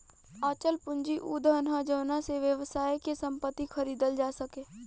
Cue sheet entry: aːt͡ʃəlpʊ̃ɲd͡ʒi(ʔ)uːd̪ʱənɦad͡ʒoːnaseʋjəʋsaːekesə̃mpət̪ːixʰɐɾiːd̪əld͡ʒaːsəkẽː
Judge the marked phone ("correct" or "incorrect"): correct